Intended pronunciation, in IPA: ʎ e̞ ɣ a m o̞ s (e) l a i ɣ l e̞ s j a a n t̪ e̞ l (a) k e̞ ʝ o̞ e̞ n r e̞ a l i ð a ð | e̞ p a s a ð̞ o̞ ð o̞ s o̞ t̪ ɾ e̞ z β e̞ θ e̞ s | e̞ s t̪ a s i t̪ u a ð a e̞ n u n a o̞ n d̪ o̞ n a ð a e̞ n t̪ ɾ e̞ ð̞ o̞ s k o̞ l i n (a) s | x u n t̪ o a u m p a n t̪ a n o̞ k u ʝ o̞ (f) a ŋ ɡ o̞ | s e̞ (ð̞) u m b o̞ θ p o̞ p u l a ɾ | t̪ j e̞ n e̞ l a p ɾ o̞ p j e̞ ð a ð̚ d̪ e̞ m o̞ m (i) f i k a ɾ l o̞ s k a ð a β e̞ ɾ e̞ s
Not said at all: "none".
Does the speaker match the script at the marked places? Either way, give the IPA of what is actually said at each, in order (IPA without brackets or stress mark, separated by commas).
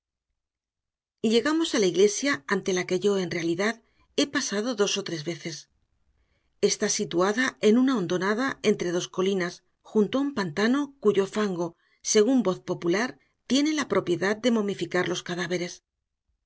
a, a, a, f, ɣ̞, i